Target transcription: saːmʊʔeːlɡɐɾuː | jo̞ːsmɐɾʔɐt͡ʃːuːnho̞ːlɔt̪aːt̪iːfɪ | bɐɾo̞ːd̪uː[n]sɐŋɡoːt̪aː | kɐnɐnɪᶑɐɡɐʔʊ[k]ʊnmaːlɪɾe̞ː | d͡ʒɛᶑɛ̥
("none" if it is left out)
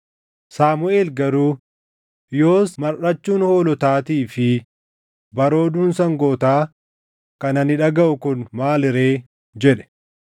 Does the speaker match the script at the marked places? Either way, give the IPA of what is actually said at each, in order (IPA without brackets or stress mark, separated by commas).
n, k